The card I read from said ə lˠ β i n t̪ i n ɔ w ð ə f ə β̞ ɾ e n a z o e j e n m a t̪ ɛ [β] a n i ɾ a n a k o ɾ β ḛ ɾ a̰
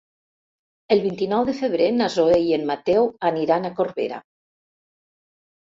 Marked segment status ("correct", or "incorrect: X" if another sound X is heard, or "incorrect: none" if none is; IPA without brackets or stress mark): incorrect: w